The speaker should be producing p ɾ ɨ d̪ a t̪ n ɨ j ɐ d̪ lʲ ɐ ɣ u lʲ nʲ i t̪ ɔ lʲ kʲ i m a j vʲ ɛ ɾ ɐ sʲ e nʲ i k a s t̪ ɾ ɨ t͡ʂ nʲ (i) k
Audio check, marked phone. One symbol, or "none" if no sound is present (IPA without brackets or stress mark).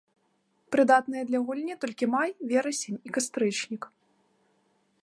i